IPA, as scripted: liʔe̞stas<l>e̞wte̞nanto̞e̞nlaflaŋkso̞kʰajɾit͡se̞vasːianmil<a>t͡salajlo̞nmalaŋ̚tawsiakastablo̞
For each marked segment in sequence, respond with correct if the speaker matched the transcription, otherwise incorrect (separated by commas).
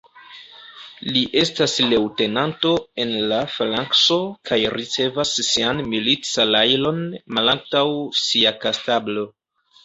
correct, incorrect